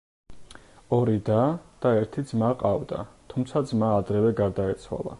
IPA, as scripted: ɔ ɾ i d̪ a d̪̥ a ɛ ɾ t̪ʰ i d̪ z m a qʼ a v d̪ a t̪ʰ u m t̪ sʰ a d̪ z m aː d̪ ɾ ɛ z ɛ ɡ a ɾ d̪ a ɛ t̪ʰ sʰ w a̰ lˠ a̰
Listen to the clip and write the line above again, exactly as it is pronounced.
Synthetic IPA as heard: ɔ ɾ i d̪ a d̪̥ a ɛ ɾ t̪ʰ i d̪ z m a qʼ a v d̪ a t̪ʰ u m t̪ sʰ a d̪ z m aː d̪ ɾ ɛ v ɛ ɡ a ɾ d̪ a ɛ t̪ sʰ w a̰ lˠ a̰